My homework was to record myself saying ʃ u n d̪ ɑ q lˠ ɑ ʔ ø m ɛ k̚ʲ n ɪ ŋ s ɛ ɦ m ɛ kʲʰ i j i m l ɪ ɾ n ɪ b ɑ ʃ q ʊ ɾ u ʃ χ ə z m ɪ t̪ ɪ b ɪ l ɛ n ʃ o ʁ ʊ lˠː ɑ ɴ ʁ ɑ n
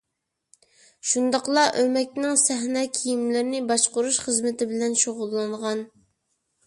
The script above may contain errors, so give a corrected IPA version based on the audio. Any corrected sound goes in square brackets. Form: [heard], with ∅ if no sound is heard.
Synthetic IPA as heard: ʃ u n d̪ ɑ q lˠ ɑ ʔ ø m ɛ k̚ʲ n ɪ ŋ s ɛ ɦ [n] ɛ kʲʰ i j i m l ɪ ɾ n ɪ b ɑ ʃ q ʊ ɾ u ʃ χ ə z m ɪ t̪ ɪ b ɪ l ɛ n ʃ o ʁ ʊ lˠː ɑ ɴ ʁ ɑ n